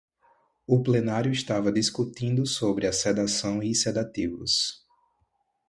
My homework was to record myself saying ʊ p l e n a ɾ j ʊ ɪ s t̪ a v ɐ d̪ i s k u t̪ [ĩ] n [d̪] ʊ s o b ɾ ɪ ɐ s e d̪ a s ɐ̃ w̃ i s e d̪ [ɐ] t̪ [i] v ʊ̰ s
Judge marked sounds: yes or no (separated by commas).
yes, yes, no, yes